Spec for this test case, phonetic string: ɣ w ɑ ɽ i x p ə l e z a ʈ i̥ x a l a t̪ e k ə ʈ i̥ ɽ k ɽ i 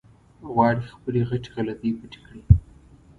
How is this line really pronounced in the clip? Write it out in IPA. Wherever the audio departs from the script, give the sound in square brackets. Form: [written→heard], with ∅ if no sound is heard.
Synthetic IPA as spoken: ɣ w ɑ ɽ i x p ə l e [z→ɣ] a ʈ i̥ [x→ɣ] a l a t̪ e [k→p] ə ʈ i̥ [ɽ→∅] k ɽ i

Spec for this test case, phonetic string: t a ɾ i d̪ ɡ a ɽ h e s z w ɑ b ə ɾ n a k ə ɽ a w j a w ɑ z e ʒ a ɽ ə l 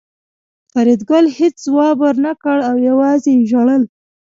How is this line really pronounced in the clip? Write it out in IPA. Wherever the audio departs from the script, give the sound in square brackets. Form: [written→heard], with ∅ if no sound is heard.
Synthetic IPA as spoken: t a ɾ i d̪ ɡ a [ɽ→l] h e [s→t͡s] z w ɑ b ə ɾ n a k ə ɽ a w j a w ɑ z e ʒ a ɽ ə l

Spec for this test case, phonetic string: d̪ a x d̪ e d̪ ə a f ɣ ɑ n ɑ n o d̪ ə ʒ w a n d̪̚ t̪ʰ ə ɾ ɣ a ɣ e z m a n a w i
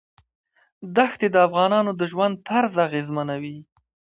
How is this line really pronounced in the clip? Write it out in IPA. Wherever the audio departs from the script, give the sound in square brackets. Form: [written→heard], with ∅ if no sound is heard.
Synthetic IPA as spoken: d̪ a x [d̪→t̪] e d̪ ə a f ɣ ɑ n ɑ n o d̪ ə ʒ w a n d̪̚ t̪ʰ [ə→a] ɾ [ɣ→z] a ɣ e z m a n a w i

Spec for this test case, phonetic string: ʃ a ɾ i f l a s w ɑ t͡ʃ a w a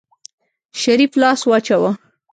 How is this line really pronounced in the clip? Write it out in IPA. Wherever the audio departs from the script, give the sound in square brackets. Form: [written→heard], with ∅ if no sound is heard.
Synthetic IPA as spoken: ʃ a ɾ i f l [a→ɑ] s w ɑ t͡ʃ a w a

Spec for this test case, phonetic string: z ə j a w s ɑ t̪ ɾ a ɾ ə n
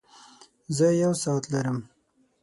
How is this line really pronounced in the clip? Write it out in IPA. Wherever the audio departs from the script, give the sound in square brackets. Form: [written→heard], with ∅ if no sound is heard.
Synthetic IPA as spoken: z ə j a w s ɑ t̪ [ɾ→l] a ɾ ə [n→m]

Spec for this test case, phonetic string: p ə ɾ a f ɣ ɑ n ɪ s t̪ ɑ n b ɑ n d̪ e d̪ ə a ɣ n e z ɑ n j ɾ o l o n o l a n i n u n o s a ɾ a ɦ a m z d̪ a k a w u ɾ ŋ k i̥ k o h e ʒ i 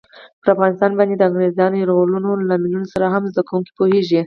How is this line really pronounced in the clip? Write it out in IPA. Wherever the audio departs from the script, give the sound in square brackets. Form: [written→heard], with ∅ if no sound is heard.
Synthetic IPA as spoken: p ə ɾ a f ɣ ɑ n ɪ s t̪ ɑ n b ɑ n d̪ e d̪ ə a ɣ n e z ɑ n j ɾ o l [o→u] n o l a [n→m] i n u n o s a ɾ a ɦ a m z d̪ a k a w u [ɾ→∅] ŋ k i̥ [k→p] o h e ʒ i

